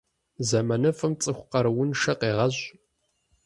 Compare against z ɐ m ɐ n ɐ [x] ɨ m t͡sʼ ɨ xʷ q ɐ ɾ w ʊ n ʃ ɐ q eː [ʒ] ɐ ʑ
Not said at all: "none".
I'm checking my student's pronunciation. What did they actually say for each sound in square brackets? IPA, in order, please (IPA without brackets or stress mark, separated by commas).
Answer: f, ʁ